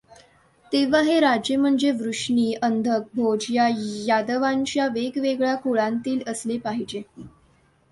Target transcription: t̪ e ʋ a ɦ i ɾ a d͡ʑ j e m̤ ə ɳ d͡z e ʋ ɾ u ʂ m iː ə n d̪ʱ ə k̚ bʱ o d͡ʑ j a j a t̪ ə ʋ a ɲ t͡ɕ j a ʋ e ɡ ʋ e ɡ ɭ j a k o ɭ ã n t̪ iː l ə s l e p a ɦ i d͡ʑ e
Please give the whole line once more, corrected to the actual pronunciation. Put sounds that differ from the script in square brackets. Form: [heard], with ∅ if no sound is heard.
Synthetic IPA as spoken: t̪ e ʋ a ɦ [e] ɾ a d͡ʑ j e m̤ ə ɳ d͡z e ʋ ɾ u ʂ [ɳ] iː ə n d̪ʱ ə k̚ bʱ o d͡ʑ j a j a [d̪] ə ʋ a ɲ t͡ɕ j a ʋ e ɡ ʋ e ɡ ɭ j a k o ɭ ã n t̪ iː l ə s l e p a ɦ i d͡ʑ e